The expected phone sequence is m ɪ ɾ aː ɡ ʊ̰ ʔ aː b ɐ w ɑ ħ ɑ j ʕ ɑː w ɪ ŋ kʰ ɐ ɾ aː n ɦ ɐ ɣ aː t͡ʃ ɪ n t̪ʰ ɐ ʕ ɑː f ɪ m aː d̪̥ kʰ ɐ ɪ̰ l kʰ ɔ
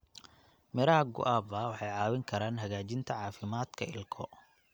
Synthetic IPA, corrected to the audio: m ɪ ɾ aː ɡ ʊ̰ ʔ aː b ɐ w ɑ ħ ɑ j ʕ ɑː w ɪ ŋ kʰ ɐ ɾ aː n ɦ ɐ ɣ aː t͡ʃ ɪ n t̪ʰ ɐ ʕ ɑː f ɪ m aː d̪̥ kʰ ɐ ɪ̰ l kʰ ɔ